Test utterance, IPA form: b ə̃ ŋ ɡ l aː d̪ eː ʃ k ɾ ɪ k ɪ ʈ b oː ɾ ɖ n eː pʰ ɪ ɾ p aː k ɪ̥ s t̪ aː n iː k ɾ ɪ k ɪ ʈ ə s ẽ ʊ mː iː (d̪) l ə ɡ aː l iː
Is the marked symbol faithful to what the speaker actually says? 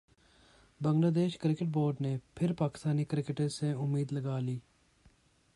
yes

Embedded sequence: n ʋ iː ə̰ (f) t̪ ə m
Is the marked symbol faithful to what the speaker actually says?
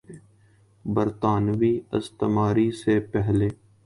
no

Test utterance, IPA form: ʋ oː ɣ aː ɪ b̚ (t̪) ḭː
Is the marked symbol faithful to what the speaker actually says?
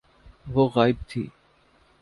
no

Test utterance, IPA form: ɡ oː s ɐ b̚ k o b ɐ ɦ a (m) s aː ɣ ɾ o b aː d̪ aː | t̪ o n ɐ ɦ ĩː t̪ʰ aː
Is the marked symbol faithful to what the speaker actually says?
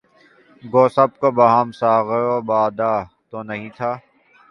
yes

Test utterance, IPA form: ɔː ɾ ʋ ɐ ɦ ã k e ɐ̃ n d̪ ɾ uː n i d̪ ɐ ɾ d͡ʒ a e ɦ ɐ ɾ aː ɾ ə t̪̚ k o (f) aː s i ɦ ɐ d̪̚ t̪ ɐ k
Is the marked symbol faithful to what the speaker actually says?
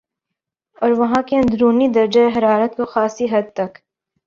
no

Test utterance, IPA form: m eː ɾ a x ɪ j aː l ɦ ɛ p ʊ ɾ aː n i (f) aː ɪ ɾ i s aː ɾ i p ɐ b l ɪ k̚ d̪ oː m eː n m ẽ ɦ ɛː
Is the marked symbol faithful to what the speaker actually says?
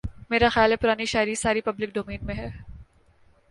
no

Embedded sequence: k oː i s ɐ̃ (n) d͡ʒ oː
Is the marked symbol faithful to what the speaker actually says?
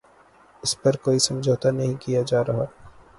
no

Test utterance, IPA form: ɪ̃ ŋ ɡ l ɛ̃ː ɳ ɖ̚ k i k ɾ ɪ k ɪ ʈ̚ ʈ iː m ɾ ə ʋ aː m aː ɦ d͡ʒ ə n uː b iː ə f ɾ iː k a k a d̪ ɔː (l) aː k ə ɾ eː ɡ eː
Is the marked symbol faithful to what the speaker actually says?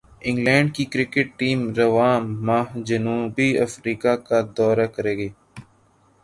no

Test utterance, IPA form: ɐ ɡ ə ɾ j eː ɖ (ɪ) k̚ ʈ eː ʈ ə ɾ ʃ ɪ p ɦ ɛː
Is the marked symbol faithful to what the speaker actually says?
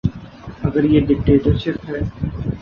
yes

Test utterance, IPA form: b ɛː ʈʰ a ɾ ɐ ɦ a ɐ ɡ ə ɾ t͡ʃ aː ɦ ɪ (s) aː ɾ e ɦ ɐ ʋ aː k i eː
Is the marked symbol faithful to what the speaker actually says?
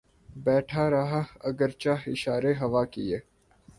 no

